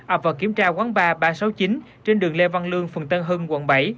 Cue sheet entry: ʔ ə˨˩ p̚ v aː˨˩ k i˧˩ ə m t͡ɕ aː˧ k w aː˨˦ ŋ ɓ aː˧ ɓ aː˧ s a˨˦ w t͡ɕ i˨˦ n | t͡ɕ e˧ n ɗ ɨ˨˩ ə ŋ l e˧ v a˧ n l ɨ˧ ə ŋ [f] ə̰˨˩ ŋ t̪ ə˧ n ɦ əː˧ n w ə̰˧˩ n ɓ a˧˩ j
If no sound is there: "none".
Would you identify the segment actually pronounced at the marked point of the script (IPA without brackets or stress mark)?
f